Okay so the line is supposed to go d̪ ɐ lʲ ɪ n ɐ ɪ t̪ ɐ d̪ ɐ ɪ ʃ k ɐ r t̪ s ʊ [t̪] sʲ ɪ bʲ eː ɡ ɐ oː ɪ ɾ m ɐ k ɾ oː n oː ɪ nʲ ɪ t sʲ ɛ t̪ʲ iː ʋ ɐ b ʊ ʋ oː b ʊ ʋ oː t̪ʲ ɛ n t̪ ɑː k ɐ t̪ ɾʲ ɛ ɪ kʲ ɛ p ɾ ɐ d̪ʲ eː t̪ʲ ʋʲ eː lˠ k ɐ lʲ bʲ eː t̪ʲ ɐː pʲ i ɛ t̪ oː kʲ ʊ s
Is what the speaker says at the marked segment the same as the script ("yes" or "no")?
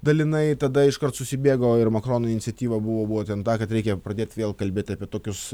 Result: no